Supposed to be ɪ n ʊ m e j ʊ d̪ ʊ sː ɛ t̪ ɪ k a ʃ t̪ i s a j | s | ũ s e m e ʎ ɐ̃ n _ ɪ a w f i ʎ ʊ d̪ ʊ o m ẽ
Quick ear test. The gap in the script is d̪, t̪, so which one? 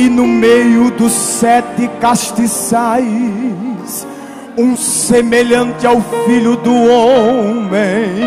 t̪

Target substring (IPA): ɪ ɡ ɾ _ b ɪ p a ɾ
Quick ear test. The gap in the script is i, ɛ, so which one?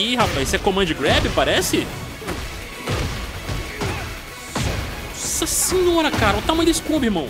ɛ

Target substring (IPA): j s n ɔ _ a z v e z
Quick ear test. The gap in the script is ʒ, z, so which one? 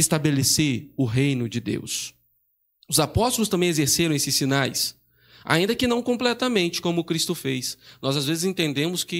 z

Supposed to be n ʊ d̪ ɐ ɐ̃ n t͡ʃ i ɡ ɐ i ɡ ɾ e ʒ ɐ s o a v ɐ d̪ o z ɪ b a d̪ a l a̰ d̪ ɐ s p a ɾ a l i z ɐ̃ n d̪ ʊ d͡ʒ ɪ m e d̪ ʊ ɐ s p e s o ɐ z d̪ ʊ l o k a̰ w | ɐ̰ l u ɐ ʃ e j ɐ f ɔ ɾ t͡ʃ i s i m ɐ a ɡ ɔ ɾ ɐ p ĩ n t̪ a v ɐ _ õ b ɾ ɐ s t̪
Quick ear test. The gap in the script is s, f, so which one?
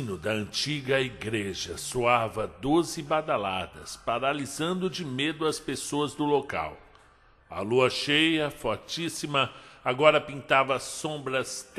s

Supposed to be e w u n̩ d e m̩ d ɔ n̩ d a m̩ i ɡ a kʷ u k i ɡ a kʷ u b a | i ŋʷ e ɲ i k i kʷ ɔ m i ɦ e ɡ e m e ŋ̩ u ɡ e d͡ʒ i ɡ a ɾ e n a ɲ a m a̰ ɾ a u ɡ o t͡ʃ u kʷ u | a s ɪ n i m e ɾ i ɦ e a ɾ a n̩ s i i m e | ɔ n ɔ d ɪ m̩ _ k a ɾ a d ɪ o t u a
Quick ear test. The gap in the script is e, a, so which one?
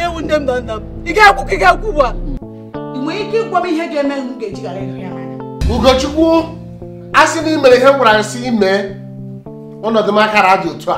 a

